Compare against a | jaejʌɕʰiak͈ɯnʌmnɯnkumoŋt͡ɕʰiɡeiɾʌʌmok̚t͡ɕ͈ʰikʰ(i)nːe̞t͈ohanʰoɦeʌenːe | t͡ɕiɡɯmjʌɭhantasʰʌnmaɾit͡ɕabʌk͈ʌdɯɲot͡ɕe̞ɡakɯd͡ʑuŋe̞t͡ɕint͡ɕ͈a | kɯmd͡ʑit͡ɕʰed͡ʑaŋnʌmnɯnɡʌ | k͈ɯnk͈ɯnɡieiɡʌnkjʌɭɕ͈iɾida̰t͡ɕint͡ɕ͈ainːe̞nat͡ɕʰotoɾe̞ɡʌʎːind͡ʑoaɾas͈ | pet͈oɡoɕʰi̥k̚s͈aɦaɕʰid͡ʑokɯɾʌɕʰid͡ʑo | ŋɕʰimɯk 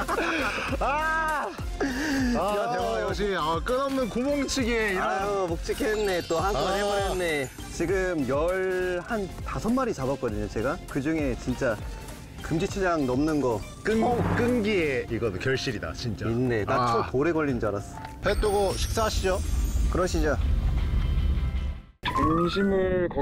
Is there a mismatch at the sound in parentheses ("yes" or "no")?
yes